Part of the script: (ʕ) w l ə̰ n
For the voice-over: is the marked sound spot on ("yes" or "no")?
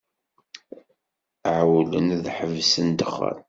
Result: yes